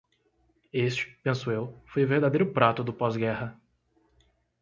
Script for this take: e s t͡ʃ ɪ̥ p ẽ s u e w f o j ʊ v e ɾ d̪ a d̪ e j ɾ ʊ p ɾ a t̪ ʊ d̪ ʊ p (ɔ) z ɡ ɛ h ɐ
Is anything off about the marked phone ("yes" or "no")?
no